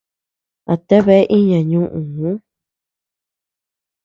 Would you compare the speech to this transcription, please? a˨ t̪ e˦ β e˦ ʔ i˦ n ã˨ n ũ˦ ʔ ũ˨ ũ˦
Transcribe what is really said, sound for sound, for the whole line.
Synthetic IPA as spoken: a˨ t̪ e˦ β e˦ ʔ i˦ ɲ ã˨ ɲ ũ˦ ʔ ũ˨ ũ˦